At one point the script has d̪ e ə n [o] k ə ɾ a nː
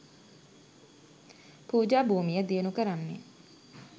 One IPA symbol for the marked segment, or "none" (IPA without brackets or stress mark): u